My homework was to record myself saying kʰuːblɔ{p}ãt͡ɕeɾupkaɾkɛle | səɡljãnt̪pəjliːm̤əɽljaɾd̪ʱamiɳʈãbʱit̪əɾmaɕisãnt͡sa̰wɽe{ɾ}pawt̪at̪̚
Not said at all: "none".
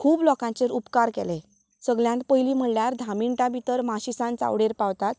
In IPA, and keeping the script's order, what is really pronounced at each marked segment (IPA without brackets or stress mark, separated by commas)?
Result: k, ɾ